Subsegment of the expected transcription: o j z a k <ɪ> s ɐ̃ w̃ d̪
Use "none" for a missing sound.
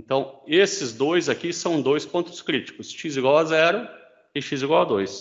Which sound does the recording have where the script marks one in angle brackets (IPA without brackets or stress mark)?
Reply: i